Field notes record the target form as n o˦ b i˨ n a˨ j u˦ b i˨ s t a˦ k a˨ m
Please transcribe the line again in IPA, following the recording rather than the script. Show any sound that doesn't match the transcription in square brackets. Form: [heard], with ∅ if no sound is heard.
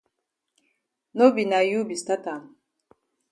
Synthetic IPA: n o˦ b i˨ n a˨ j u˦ b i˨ s t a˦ [t] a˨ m